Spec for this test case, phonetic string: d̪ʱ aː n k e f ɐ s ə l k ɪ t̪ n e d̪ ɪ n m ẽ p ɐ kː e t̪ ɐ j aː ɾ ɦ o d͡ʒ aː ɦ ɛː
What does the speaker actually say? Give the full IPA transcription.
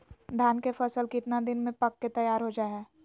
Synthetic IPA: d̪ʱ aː n k e f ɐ s ə l k ɪ t̪ n a d̪ ɪ n m ẽ p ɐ kː e t̪ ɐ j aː ɾ ɦ o d͡ʒ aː ɦ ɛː